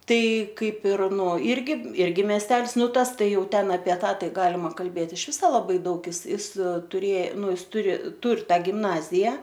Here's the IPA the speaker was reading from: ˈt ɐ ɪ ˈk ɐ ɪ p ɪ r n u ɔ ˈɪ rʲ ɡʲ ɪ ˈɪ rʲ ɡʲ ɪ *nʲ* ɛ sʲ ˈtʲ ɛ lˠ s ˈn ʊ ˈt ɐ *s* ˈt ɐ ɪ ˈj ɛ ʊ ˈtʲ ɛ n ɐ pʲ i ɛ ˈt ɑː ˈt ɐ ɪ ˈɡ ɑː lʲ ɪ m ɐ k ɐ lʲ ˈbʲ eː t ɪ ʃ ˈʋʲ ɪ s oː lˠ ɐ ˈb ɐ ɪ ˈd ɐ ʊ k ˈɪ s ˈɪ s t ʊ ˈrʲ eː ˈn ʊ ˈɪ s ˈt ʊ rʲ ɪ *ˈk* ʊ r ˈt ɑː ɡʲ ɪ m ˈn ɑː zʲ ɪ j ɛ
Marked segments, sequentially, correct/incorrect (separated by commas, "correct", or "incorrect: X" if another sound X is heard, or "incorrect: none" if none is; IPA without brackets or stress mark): incorrect: mʲ, correct, incorrect: t